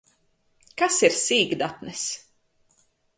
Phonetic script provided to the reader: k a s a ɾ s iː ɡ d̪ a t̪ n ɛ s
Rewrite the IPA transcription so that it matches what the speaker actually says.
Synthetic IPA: k a s i ɾ s iː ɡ d̪ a t̪ n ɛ s